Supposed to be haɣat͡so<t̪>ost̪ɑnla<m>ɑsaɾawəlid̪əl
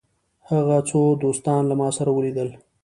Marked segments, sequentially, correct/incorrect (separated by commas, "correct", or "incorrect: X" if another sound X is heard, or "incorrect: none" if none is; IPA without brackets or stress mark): incorrect: d̪, correct